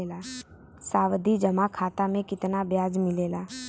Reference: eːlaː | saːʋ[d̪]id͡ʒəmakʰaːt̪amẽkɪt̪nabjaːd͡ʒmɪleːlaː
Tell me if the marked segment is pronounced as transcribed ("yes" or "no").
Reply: yes